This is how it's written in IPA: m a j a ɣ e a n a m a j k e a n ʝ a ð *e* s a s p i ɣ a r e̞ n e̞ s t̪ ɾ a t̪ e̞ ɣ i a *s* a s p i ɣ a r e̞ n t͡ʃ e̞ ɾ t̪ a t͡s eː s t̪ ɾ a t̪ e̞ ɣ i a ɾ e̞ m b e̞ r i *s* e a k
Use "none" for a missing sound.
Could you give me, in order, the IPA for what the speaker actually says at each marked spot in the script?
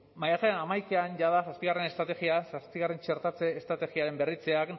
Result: a, s, t͡s

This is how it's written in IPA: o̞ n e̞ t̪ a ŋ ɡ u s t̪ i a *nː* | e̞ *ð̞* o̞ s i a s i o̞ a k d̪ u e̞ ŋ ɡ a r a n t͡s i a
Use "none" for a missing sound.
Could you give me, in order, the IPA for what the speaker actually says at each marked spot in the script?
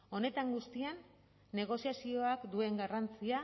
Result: nː, ɣ̞

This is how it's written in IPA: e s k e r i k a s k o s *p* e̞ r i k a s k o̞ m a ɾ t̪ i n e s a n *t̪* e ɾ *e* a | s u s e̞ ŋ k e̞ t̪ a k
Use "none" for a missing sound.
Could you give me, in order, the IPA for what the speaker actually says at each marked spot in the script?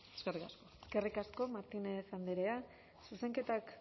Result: k, d̪, e

